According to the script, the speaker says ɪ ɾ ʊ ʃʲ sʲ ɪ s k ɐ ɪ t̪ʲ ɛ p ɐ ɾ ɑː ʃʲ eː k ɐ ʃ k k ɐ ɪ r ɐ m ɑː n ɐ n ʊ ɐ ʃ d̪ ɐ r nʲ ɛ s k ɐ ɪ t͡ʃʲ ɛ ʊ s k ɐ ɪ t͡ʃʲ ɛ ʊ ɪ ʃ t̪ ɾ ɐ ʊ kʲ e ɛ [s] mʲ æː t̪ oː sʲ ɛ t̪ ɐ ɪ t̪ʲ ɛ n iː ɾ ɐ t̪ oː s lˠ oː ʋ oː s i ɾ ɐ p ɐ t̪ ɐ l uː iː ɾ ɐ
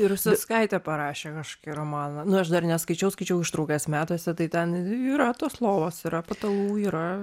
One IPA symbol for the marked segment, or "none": s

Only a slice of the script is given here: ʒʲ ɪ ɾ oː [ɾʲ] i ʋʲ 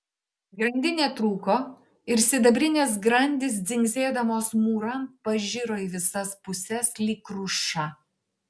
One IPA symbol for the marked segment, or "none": none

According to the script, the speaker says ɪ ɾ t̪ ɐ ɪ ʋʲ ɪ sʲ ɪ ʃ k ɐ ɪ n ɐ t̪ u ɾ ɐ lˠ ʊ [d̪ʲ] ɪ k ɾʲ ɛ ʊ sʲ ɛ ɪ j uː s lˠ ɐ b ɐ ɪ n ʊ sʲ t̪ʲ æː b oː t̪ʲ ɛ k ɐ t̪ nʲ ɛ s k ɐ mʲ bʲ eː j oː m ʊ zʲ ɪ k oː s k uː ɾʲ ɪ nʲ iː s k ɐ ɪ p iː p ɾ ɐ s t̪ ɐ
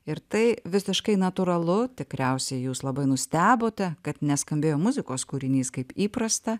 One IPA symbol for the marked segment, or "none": t̪ʲ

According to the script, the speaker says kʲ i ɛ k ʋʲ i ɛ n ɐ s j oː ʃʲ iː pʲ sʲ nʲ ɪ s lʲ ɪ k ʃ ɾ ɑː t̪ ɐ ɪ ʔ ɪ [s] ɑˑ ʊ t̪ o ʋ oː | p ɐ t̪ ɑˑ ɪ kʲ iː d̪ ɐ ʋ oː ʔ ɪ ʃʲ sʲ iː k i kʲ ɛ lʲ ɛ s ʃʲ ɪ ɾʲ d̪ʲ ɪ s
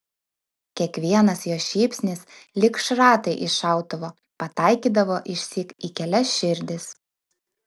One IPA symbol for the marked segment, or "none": ʃ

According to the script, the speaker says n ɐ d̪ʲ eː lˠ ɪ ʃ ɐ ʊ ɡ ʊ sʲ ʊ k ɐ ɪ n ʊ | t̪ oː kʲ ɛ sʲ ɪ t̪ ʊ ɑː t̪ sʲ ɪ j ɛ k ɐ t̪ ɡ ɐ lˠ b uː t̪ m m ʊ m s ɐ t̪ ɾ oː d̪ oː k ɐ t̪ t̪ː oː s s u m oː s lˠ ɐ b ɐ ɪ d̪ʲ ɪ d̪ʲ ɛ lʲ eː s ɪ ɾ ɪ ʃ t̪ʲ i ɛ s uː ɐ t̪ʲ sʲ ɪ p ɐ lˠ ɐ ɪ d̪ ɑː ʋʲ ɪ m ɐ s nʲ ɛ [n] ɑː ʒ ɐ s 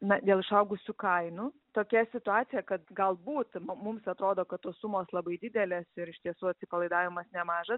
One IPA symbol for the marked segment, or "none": m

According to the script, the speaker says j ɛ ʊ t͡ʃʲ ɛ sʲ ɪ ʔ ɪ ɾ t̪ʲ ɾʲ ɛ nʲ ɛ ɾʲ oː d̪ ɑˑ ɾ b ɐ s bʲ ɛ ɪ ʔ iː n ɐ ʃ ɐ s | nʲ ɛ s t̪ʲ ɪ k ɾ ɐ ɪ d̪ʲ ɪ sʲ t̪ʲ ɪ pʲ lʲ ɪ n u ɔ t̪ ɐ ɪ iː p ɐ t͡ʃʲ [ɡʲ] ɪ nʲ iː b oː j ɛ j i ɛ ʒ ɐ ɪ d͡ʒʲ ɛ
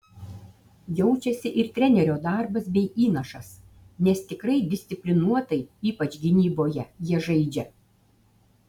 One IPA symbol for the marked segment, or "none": ɡʲ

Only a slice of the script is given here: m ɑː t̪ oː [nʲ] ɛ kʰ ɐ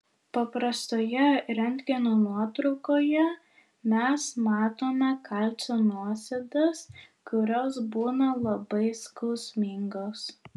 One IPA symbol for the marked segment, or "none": mʲ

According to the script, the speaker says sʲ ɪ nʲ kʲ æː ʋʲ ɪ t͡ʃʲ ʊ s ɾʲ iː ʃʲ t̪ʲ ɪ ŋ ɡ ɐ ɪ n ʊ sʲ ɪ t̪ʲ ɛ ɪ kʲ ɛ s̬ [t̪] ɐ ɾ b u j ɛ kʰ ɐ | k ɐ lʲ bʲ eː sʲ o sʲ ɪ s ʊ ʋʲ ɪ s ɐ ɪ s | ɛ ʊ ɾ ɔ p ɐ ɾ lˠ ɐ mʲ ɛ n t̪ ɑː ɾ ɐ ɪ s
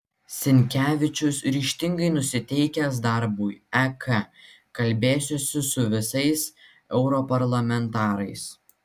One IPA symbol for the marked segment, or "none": d̪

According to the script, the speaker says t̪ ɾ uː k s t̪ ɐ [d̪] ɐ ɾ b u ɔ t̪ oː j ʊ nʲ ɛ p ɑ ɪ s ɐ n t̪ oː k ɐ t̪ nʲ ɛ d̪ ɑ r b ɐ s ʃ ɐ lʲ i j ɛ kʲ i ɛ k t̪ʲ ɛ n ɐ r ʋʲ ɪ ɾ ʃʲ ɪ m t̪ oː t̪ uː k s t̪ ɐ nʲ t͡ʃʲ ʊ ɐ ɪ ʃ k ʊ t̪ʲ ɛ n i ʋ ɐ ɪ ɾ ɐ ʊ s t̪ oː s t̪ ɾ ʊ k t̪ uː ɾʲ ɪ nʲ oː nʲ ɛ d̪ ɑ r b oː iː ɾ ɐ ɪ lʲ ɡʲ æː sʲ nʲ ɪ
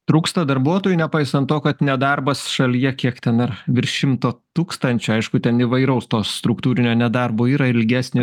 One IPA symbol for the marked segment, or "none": d̪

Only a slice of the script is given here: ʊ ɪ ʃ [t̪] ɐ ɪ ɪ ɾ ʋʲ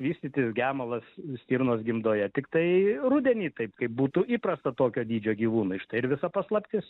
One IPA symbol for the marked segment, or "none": t̪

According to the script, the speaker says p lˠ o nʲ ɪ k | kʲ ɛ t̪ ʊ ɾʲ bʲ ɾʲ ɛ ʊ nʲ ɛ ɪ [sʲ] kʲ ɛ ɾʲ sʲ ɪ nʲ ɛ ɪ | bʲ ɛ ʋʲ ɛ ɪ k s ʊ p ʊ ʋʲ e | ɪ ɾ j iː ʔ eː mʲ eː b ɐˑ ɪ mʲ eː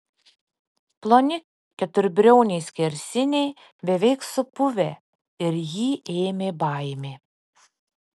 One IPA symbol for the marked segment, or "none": sʲ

